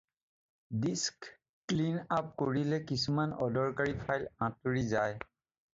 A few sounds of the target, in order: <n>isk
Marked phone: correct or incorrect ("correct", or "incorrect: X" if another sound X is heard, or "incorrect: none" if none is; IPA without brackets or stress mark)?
incorrect: d